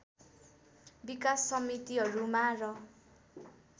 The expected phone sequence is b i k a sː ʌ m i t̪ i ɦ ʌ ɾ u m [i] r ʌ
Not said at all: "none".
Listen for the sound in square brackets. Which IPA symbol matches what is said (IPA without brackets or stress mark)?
a